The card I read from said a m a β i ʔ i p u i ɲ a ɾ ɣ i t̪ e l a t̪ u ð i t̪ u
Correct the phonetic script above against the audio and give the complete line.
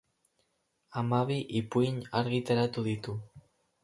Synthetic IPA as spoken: a m a β i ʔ i p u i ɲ a ɾ ɣ i t̪ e ɾ a t̪ u ð i t̪ u